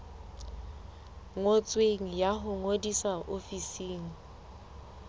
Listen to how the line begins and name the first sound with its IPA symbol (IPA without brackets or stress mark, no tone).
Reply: ŋ